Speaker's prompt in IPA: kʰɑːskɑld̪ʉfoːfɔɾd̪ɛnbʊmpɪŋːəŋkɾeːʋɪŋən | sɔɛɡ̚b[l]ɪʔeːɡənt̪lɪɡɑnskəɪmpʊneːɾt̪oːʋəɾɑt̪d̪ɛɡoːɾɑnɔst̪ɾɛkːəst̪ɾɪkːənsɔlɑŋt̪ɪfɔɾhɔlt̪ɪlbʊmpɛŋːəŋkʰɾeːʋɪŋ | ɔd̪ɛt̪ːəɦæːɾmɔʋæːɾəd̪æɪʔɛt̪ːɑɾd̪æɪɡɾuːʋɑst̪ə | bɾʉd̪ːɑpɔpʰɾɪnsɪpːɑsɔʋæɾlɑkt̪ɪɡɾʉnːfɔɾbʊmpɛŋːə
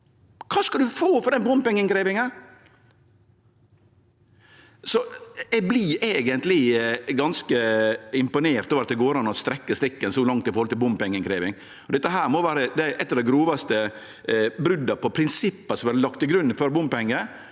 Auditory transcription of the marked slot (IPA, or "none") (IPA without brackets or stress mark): l